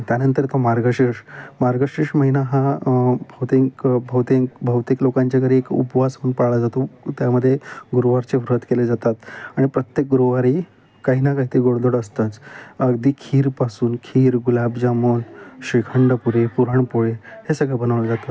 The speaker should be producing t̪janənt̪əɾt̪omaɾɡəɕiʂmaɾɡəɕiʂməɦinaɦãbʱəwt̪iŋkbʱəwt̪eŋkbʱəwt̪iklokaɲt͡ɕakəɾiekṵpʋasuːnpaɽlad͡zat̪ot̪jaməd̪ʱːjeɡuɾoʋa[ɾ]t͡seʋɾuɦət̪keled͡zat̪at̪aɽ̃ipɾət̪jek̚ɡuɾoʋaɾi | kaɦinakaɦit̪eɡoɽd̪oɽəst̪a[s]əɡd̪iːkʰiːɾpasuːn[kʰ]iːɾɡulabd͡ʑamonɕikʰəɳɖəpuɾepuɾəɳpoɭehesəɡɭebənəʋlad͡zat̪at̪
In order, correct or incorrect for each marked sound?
correct, incorrect, correct

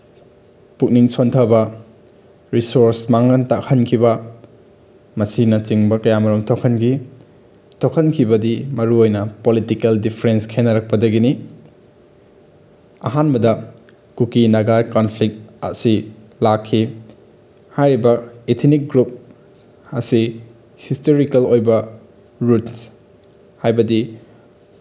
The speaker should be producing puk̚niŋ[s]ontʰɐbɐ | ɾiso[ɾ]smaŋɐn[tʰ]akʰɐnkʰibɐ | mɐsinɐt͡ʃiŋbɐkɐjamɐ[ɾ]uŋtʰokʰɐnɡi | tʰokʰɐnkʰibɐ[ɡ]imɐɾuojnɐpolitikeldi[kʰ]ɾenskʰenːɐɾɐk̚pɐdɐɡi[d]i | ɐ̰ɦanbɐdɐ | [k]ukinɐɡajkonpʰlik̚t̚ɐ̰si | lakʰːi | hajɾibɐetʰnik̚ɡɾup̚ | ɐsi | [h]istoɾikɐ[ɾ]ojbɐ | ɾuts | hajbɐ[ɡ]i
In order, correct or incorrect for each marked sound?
correct, correct, incorrect, correct, incorrect, incorrect, incorrect, correct, correct, incorrect, incorrect

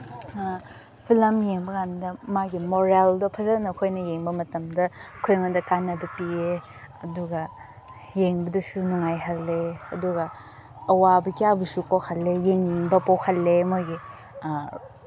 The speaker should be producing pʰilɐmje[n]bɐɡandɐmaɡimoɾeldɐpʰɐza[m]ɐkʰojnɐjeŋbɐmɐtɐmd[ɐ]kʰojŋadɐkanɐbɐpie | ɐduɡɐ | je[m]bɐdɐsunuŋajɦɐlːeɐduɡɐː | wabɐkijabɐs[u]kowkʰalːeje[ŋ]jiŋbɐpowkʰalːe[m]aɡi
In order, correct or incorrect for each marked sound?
incorrect, incorrect, correct, incorrect, correct, correct, correct

